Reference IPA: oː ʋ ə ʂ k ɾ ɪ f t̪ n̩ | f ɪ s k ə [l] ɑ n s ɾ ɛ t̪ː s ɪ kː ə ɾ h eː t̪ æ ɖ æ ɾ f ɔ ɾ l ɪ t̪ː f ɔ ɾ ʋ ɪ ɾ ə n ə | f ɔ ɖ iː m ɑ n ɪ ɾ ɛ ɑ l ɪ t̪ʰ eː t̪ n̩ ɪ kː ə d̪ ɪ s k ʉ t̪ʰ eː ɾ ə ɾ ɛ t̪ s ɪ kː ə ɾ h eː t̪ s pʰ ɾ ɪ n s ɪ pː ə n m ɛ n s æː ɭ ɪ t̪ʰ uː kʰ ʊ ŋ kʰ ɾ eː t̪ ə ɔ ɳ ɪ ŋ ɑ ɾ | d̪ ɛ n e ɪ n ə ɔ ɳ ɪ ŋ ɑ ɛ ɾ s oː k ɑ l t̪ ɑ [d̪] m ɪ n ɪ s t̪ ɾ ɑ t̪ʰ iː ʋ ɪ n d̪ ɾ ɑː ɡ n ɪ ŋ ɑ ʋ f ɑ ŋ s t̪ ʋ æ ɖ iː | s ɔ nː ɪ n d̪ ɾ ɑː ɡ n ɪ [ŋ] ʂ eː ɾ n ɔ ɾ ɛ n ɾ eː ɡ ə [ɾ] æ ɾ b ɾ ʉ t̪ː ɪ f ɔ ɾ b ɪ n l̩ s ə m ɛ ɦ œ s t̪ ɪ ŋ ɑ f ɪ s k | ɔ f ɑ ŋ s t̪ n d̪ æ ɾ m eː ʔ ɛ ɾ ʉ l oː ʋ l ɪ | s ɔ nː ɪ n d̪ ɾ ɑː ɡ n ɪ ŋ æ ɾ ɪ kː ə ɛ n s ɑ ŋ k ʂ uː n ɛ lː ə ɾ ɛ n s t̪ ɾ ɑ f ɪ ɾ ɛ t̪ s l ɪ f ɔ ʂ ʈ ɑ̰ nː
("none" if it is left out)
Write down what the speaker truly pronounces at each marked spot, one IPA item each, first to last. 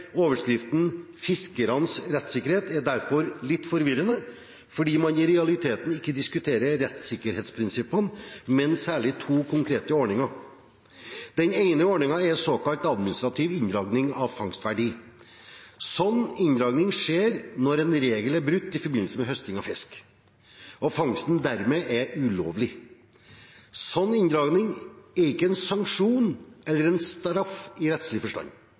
ɾ, d̪, ŋ, l

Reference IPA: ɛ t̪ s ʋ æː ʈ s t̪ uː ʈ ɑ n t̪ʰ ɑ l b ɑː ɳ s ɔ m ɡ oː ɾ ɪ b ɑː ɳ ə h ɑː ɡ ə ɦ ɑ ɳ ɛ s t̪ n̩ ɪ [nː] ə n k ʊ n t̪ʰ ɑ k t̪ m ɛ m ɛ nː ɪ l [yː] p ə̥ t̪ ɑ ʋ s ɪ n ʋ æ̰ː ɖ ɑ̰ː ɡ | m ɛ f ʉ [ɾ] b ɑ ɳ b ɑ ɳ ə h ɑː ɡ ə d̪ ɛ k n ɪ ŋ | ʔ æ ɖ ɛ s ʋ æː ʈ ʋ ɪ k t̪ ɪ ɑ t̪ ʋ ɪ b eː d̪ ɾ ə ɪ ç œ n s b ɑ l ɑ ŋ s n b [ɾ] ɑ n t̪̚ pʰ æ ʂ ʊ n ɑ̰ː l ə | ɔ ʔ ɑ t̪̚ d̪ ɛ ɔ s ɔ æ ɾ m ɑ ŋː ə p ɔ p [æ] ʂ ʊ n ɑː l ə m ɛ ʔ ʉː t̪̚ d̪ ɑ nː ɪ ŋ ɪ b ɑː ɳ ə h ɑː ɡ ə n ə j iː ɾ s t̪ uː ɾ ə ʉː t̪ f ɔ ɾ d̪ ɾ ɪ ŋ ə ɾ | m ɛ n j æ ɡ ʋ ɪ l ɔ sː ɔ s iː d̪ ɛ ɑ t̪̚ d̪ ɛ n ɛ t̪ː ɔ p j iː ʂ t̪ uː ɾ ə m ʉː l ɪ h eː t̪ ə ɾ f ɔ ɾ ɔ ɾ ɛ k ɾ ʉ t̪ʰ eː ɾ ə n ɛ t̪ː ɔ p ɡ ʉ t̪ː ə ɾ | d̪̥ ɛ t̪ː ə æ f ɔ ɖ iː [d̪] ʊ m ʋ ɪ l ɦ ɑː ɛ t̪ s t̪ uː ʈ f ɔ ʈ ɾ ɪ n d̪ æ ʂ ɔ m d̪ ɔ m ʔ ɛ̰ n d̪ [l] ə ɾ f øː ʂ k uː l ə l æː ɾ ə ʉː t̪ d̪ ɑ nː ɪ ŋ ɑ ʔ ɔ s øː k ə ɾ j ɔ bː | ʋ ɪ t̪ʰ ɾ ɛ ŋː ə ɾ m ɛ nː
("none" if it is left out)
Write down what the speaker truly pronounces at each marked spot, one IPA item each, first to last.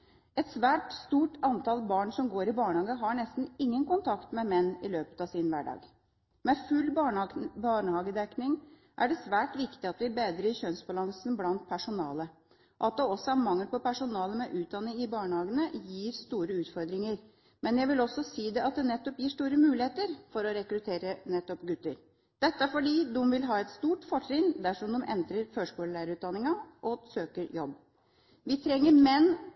ŋː, øː, l, l, æ, d̪, ɾ

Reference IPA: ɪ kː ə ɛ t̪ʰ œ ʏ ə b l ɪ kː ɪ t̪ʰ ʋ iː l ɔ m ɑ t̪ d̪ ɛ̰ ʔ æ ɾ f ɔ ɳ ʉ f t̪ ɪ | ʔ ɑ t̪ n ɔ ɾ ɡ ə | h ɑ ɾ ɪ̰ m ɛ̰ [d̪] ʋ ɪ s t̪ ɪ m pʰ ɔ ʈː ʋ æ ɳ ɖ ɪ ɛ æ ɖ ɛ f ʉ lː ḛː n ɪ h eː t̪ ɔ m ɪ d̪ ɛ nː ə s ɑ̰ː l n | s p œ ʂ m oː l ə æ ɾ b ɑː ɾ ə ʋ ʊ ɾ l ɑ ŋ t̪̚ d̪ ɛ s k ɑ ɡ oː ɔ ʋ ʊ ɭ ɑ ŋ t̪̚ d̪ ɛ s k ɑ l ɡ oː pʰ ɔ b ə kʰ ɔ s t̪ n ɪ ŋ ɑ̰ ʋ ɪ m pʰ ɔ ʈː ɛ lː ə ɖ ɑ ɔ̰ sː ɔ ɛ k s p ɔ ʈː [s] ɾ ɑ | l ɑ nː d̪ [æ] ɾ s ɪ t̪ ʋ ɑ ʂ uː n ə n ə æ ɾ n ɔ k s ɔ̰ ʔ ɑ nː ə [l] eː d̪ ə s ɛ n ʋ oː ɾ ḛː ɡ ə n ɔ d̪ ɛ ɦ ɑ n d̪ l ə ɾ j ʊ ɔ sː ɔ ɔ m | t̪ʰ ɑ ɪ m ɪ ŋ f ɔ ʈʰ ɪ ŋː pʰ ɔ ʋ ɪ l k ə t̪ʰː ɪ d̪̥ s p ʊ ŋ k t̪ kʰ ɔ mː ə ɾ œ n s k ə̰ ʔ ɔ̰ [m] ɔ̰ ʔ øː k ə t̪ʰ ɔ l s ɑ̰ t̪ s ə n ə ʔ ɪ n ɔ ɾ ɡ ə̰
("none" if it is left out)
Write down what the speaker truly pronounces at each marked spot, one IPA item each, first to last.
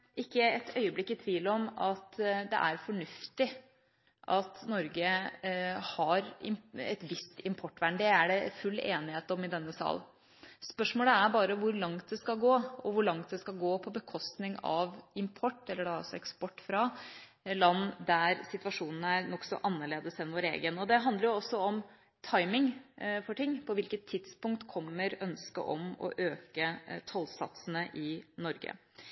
t̪, f, æ, ɭ, m

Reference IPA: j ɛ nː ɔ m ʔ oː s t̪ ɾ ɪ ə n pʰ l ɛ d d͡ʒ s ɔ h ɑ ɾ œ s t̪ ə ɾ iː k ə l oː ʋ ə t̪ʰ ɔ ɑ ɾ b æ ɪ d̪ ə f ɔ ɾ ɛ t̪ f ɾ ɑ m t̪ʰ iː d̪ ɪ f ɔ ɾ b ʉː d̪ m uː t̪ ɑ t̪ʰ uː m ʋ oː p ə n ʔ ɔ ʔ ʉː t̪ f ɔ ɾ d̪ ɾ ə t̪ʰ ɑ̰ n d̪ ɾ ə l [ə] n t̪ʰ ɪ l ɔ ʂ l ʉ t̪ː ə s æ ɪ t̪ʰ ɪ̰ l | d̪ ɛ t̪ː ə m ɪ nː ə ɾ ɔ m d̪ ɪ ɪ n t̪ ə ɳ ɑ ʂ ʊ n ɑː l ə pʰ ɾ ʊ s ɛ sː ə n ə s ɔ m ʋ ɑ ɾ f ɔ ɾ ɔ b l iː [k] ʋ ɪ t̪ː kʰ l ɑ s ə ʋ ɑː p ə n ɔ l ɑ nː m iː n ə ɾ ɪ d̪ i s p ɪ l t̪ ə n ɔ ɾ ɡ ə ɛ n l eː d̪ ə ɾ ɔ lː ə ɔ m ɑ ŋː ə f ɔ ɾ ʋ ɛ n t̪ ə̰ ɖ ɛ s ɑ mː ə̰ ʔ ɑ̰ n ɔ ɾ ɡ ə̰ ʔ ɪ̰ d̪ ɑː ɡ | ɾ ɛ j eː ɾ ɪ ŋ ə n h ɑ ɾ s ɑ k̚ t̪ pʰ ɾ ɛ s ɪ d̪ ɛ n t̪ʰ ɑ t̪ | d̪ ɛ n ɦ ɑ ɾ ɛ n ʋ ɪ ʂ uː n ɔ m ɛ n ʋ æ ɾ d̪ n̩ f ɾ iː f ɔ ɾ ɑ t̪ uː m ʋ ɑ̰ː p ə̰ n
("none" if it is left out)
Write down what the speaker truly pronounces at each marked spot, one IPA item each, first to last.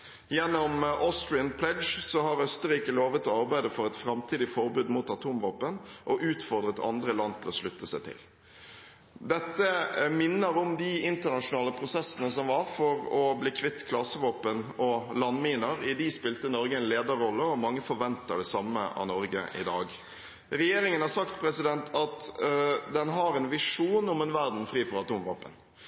ɑ, kʰ

